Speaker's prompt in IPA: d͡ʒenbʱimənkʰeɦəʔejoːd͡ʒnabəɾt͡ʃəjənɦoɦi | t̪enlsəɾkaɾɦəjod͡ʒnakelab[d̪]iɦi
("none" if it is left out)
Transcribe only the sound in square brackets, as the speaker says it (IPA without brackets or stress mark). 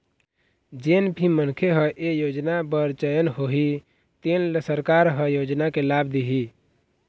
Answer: d̪